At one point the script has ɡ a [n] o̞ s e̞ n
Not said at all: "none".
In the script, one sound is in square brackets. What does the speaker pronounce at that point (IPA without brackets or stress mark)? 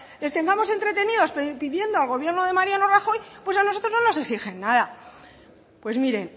m